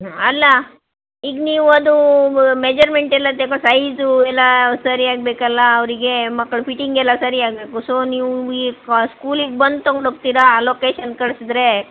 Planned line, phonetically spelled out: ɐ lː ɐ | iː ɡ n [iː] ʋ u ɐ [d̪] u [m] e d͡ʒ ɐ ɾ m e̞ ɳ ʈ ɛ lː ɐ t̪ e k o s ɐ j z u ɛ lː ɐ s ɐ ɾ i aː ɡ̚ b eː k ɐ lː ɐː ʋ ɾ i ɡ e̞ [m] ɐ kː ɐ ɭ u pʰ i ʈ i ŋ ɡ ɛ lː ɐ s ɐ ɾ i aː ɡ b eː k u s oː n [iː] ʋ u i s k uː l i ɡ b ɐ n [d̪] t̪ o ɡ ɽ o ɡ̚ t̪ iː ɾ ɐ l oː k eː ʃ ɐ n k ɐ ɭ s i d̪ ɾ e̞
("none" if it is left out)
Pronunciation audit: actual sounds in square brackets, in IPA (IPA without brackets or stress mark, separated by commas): iː, d̪, m, m, iː, d̪